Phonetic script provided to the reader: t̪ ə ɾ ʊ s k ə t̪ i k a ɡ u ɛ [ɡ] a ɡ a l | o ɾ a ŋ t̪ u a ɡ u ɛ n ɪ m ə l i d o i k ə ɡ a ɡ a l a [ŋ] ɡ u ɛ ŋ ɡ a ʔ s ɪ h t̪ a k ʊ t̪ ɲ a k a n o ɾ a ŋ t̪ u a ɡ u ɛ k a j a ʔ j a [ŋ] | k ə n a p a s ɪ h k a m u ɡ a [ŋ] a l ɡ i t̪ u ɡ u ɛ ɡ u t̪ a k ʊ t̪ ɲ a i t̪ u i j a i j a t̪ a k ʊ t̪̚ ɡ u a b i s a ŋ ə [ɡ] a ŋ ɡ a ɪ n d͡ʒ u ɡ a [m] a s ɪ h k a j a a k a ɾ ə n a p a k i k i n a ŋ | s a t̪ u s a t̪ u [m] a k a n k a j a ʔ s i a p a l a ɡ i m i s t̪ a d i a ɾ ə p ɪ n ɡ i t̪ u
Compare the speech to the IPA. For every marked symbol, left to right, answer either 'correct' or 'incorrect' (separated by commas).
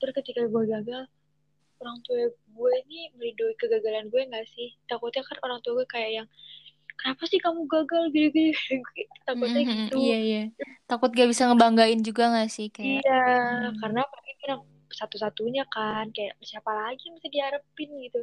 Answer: correct, incorrect, correct, incorrect, incorrect, incorrect, incorrect